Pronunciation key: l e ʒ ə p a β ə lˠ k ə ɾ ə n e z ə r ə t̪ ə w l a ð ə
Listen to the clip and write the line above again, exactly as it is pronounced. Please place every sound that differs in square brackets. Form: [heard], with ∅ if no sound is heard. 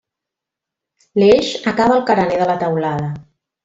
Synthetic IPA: l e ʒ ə [k] a β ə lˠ k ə ɾ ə n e [ð] ə [l] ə t̪ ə w l a ð ə